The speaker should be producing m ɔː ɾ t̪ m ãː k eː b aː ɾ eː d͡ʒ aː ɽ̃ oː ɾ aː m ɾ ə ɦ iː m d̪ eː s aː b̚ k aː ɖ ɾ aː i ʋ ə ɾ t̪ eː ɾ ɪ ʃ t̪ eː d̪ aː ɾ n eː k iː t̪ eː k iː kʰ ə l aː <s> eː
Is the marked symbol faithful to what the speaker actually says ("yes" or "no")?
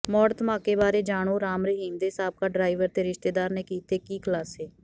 yes